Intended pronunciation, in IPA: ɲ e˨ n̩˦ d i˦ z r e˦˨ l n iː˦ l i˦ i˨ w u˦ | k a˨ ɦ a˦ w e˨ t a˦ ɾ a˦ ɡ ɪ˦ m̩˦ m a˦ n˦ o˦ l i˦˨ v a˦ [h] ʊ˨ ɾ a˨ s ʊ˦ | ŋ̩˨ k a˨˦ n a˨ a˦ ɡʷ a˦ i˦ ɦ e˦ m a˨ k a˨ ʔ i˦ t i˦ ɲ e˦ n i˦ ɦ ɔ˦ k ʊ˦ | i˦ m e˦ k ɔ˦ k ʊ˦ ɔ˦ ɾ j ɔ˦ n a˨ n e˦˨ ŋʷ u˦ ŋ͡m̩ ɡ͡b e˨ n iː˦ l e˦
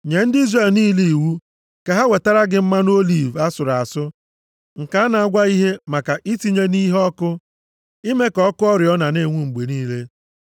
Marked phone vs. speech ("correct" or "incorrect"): incorrect